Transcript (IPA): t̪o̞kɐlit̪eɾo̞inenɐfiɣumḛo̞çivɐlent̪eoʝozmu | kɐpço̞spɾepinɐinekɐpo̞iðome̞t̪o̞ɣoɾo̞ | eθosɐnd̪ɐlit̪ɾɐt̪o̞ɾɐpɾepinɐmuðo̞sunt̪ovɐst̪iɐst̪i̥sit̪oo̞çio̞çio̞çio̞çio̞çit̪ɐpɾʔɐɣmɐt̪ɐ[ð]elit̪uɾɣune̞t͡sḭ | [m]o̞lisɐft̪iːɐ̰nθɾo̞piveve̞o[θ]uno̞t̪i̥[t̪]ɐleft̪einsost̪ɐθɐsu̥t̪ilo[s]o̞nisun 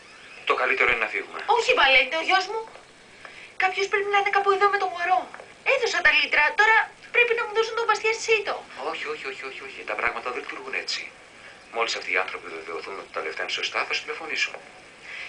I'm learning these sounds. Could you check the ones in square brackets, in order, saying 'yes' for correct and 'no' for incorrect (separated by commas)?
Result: yes, yes, yes, yes, no